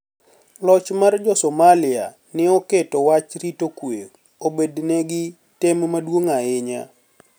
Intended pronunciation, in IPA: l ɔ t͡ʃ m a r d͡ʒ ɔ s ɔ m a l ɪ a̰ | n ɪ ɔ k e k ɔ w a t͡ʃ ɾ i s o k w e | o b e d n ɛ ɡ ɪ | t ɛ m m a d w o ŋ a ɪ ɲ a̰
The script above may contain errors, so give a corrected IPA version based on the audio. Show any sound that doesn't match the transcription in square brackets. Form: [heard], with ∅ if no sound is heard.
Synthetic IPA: l ɔ t͡ʃ m a r d͡ʒ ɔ s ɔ m a l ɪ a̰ | n ɪ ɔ k e [t] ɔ w a t͡ʃ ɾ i [t] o k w e | o b e d n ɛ ɡ ɪ | t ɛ m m a d w o ŋ a ɪ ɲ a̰